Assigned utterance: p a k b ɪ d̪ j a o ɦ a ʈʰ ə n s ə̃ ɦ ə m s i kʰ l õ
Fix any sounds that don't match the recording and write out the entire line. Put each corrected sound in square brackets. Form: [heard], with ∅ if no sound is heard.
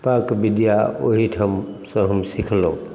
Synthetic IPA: p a k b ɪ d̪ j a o ɦ [i] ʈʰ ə [m] s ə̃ ɦ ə m s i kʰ l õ